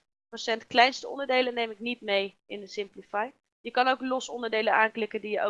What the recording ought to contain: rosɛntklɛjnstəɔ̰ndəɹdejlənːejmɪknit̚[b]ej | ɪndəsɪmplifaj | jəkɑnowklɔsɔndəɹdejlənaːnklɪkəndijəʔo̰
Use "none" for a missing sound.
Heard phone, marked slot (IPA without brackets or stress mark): m